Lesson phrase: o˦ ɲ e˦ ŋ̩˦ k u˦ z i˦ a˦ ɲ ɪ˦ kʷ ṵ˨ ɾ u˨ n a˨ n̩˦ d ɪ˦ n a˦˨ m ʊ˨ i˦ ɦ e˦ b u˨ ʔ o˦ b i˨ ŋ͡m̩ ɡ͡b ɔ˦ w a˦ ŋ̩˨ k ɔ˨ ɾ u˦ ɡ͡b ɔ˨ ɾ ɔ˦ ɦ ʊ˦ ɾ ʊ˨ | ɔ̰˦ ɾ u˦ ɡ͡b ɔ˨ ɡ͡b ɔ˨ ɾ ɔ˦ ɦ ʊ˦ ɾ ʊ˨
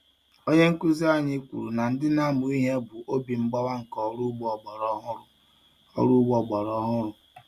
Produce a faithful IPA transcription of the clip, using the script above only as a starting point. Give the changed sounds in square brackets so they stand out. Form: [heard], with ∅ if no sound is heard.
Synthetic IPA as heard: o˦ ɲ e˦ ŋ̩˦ k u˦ z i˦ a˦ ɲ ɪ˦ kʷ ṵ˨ ɾ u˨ n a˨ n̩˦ d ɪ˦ n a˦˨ m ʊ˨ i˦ ɦ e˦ b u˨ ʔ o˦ b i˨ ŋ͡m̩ ɡ͡b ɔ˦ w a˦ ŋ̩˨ k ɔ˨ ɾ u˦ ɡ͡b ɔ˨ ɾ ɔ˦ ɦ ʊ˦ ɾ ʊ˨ | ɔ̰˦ ɾ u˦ ɡ͡b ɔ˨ ɡ͡b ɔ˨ ɾ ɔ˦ ɦ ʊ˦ ɾ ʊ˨